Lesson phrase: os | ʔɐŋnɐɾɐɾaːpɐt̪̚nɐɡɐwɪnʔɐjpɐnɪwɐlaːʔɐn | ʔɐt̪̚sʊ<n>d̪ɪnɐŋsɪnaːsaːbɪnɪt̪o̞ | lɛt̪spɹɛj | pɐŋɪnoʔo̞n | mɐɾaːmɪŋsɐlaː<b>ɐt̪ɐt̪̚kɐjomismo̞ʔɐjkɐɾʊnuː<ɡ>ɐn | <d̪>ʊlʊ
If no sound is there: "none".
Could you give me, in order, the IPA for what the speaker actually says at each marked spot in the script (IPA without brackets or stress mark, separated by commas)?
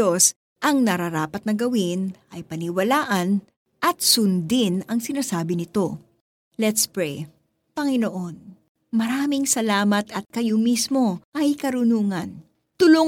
n, m, ŋ, t̪